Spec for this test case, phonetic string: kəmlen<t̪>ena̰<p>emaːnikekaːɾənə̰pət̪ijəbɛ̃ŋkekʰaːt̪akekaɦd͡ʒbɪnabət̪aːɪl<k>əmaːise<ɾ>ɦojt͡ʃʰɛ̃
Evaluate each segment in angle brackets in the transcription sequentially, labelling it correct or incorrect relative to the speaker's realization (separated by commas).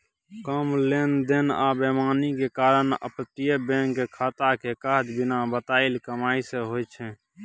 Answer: incorrect, incorrect, correct, incorrect